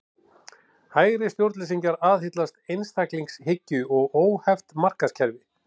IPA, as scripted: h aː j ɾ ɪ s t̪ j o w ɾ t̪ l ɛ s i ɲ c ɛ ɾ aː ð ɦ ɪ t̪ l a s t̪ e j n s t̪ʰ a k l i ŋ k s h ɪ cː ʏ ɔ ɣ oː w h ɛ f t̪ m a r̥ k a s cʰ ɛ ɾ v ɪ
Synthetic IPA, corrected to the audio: h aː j ɾ ɪ s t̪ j o w ɾ t̪ l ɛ s i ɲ c a ɾ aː ð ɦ ɪ t̪ l a s t̪ e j n s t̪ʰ a k l i ŋ k s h ɪ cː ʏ ɔ ɣ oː w h ɛ f t̪ m a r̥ k a s cʰ ɛ ɾ v ɪ